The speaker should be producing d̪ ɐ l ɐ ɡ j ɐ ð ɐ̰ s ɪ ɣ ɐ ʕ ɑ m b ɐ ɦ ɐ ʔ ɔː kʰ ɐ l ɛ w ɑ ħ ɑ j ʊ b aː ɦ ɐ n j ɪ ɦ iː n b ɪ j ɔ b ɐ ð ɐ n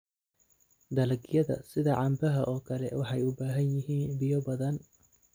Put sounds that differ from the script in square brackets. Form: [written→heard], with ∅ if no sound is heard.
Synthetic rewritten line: d̪ ɐ l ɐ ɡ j ɐ ð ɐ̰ s ɪ [ɣ→ð] ɐ ʕ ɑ m b ɐ ɦ ɐ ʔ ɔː kʰ ɐ l ɛ w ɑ ħ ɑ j ʊ b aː ɦ ɐ n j ɪ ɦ iː n b ɪ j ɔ b ɐ ð ɐ n